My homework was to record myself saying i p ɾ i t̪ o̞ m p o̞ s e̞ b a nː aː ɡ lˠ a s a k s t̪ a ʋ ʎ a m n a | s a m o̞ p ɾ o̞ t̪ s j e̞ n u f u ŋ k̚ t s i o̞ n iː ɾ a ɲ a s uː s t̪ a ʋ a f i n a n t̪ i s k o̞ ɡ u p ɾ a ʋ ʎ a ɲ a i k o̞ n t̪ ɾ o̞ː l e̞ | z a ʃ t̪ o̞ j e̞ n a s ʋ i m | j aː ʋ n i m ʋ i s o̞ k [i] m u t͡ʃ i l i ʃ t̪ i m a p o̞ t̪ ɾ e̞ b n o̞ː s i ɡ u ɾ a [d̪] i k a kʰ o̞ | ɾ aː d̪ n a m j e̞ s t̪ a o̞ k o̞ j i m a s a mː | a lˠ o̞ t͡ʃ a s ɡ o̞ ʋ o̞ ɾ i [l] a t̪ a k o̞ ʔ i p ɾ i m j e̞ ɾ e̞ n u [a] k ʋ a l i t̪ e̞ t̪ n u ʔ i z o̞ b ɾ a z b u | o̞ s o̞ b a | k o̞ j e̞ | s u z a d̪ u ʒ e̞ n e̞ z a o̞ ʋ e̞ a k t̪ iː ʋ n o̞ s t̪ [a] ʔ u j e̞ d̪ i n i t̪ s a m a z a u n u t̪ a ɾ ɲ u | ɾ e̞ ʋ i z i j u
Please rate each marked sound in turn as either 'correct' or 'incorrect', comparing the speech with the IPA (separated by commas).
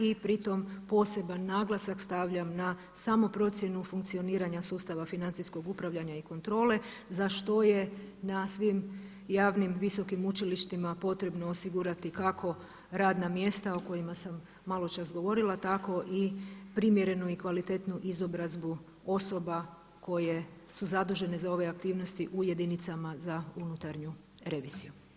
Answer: correct, incorrect, correct, incorrect, incorrect